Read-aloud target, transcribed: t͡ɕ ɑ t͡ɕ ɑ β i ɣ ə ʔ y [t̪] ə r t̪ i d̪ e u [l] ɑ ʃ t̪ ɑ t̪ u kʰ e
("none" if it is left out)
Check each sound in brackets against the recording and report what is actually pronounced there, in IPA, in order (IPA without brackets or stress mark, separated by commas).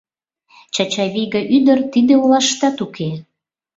d̪, l